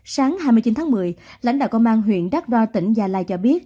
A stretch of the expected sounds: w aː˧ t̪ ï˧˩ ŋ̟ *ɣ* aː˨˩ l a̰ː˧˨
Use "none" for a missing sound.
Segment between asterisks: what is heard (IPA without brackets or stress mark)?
z